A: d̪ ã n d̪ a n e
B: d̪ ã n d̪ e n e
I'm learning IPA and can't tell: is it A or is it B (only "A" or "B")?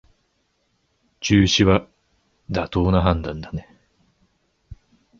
A